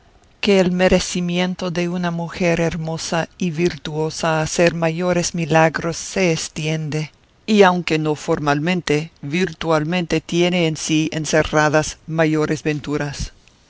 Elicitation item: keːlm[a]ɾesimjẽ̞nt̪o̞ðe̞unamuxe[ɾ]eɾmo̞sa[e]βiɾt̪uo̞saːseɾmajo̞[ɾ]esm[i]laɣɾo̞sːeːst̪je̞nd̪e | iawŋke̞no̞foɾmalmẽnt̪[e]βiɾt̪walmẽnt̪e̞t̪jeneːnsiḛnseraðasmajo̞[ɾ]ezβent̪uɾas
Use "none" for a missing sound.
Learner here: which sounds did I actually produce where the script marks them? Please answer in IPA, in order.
e, ɾ, i, ɾ, i, e, ɾ

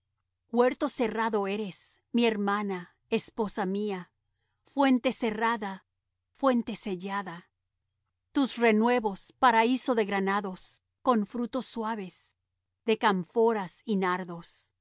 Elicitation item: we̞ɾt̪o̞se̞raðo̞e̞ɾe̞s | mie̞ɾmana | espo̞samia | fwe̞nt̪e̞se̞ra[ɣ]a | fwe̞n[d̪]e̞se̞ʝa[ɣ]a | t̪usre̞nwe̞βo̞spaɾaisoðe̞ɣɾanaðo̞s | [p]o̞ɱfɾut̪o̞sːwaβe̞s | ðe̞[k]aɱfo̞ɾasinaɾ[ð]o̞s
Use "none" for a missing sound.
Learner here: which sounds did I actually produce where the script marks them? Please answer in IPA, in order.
ð, t̪, ð, k, k, ð

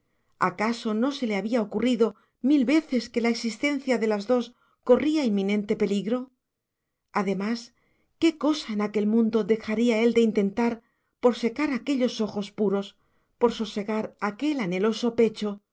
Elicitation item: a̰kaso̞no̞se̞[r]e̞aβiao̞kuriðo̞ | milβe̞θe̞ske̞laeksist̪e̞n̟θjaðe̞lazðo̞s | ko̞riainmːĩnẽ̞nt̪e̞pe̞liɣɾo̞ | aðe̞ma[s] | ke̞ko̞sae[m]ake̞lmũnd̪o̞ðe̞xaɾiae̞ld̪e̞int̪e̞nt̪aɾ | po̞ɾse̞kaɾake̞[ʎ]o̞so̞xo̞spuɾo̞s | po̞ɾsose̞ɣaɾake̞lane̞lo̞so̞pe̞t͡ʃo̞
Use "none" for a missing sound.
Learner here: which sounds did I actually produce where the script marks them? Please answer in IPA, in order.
l, s, n, ʎ

